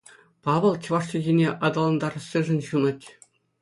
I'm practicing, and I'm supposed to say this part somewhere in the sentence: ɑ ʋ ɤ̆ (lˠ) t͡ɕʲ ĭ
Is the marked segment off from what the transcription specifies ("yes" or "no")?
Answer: no